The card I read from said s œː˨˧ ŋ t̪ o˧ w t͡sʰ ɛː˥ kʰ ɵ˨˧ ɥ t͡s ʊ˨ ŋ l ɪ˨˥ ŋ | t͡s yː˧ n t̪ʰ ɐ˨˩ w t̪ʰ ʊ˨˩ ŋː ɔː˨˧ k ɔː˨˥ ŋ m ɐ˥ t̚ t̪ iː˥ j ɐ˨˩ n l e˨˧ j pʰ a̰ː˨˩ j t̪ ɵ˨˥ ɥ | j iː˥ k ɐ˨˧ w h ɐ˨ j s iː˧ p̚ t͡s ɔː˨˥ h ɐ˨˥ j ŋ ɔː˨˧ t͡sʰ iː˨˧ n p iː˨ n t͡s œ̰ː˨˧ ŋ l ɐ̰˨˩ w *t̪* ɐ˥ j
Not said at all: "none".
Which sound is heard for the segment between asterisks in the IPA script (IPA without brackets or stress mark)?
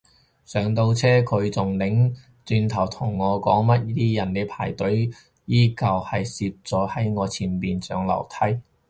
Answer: t̪ʰ